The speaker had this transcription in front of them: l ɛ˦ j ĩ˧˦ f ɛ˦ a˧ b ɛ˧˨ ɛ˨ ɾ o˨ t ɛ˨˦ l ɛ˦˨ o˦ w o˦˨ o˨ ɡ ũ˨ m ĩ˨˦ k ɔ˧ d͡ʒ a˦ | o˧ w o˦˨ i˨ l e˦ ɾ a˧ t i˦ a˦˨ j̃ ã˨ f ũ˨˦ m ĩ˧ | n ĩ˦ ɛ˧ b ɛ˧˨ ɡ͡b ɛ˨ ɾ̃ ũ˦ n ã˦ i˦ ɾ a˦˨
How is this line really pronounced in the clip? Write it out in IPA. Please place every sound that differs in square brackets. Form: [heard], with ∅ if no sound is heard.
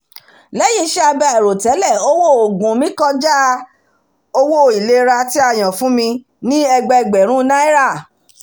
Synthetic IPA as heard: l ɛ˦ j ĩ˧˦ [ʃ] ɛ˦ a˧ b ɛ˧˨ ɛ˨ ɾ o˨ t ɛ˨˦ l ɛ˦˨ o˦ w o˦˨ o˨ ɡ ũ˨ m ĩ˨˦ k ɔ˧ d͡ʒ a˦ | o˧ w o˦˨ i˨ l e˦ ɾ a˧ t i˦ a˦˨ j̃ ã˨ f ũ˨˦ m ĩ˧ | n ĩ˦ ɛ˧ [ɡ͡b] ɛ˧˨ ɡ͡b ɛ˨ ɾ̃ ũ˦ n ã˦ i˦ ɾ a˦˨